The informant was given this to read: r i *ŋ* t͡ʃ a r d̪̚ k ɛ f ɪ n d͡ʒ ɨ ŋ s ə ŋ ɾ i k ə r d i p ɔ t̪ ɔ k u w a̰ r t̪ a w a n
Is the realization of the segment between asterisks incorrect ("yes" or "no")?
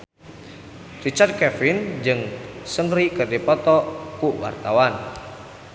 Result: yes